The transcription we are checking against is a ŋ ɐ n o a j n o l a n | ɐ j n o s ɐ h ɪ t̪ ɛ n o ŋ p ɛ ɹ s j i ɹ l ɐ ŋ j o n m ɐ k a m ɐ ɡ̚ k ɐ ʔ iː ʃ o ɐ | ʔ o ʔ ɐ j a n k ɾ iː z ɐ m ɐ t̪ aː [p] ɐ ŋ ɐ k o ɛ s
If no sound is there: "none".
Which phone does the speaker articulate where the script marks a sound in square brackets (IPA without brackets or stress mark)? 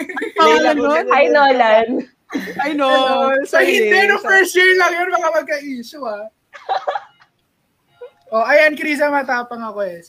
p